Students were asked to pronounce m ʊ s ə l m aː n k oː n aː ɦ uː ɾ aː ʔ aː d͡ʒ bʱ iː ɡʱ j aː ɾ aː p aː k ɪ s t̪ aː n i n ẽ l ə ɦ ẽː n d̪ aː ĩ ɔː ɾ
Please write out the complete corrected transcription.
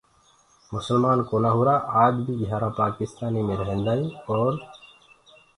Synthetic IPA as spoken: m ʊ s ə l m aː n k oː n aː ɦ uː ɾ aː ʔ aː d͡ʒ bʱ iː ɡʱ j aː ɾ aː p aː k ɪ s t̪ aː n i m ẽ ɾ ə ɦ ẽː n d̪ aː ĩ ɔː ɾ